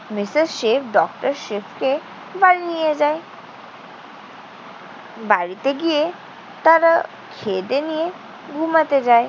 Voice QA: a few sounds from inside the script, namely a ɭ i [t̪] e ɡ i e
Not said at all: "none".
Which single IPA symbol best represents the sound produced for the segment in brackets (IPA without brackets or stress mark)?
t̪